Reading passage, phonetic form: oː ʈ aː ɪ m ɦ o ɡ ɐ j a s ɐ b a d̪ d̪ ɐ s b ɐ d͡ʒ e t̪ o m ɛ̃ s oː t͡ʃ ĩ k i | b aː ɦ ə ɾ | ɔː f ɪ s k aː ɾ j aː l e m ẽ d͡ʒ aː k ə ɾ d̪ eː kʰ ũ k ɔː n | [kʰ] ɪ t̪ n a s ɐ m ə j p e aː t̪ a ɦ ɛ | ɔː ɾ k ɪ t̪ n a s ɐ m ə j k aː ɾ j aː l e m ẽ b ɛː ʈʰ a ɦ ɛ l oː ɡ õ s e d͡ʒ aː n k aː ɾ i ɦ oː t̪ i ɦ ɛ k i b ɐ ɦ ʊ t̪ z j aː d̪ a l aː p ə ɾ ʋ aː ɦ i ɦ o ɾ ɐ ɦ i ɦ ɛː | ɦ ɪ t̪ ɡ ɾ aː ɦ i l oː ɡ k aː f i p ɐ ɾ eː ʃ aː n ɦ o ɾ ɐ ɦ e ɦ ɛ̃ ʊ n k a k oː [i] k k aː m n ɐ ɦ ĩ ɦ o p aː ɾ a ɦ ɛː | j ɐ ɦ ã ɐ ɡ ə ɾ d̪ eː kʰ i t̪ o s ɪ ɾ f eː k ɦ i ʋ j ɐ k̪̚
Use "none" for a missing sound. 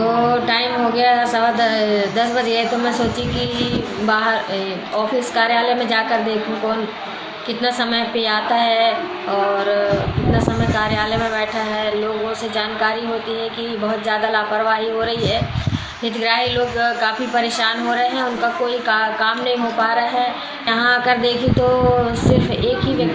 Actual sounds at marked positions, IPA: k, i

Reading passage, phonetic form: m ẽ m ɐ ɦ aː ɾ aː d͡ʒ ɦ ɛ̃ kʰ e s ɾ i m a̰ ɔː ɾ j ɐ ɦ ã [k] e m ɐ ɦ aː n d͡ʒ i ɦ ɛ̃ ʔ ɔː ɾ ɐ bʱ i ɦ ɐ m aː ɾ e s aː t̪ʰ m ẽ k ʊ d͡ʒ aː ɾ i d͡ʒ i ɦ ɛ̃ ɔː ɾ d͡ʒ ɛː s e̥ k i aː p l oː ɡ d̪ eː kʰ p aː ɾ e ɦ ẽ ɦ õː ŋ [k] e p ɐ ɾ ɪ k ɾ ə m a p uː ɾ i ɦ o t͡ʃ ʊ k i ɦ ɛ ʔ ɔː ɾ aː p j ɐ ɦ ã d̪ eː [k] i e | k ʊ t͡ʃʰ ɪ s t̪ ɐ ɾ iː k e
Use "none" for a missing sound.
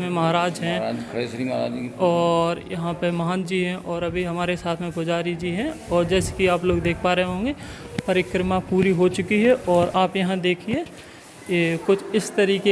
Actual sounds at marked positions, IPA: p, ɡ, kʰ

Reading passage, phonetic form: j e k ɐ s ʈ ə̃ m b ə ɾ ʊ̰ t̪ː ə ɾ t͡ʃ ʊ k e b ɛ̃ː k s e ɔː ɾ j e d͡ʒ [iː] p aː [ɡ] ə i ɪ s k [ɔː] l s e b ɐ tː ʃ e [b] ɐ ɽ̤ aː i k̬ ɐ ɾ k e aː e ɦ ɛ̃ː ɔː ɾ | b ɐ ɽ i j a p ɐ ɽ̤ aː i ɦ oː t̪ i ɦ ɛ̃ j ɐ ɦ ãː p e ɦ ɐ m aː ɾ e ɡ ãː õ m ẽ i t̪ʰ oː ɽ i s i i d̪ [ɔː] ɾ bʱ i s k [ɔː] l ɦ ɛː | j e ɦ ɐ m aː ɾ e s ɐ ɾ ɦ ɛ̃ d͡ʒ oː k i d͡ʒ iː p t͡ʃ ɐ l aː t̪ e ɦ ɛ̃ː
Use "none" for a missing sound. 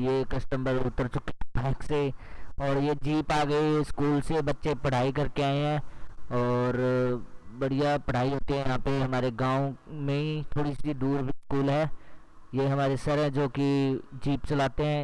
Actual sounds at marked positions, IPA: iː, ɡ, uː, p, uː, uː

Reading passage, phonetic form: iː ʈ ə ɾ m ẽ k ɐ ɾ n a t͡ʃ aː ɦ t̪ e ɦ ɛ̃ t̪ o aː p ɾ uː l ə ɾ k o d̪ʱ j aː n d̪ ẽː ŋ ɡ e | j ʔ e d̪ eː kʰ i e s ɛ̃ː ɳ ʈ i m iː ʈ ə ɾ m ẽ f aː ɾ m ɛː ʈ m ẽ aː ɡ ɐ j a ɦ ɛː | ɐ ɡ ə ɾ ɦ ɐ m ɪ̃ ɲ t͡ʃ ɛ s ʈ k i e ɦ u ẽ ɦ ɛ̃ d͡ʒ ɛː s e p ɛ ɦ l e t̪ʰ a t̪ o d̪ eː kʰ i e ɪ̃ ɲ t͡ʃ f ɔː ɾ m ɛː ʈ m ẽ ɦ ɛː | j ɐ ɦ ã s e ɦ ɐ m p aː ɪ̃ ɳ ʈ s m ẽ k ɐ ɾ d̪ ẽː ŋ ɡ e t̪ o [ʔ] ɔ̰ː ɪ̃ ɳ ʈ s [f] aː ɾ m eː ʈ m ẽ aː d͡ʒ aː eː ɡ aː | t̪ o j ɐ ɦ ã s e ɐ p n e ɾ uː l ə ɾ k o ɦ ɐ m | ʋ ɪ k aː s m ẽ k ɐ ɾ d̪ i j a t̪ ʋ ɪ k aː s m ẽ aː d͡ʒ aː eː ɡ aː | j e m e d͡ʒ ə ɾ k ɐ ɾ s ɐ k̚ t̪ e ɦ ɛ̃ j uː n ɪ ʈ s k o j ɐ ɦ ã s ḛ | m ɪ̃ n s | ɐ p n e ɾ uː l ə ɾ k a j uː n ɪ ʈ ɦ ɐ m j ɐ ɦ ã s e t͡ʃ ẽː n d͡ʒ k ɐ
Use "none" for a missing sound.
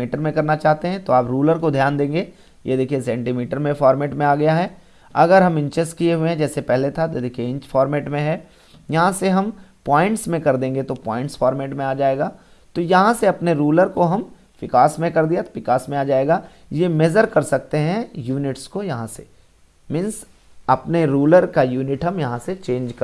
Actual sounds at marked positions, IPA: p, f

